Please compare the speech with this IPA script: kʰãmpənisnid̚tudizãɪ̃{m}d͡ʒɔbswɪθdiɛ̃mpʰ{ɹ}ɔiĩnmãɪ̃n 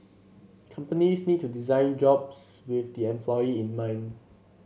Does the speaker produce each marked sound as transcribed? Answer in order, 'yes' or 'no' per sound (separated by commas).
no, no